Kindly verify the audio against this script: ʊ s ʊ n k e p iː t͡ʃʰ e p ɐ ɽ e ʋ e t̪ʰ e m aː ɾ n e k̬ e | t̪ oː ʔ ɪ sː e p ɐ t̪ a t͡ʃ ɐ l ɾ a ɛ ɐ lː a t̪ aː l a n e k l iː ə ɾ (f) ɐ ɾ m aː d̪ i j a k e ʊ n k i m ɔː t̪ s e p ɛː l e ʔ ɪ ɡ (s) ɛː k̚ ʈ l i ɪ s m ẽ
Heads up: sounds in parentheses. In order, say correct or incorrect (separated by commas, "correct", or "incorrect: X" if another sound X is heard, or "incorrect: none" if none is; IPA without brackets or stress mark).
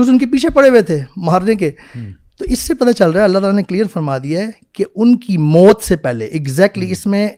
correct, incorrect: z